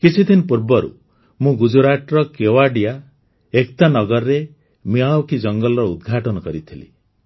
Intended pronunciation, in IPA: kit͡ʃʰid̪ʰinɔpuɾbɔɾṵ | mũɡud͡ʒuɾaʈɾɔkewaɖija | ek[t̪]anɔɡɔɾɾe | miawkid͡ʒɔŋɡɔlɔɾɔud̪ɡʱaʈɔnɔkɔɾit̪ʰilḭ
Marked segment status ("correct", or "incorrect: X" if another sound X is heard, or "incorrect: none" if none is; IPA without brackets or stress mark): correct